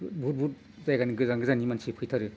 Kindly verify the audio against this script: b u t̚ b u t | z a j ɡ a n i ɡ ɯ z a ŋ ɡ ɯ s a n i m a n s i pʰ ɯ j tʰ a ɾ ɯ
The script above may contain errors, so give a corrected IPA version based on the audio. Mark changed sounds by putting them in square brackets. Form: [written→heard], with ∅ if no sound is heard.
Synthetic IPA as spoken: b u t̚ b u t | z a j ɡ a n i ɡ ɯ z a ŋ ɡ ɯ [s→z] a n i m a n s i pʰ ɯ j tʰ a ɾ ɯ